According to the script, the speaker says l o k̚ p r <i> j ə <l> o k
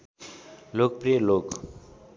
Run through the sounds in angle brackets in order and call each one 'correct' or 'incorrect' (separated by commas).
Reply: correct, correct